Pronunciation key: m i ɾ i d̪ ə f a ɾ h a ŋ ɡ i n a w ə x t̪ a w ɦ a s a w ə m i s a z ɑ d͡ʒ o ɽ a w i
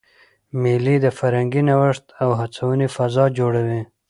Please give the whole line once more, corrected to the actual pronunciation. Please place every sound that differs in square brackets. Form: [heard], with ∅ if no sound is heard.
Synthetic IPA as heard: m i [l] i d̪ ə f a ɾ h a ŋ ɡ i n a w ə [ʂ] t̪ a w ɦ a [t͡s] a w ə [n] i [f] a z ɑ d͡ʒ o ɽ a w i